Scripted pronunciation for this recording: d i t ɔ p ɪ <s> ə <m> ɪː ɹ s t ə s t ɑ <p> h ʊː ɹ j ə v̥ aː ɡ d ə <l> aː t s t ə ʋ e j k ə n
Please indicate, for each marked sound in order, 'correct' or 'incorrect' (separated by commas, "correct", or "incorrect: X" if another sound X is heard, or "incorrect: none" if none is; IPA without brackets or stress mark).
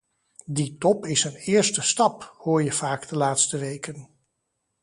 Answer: correct, incorrect: n, correct, correct